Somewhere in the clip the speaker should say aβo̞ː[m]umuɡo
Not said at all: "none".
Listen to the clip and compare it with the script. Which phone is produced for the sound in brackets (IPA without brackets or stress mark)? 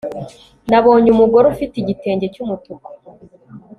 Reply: ɲ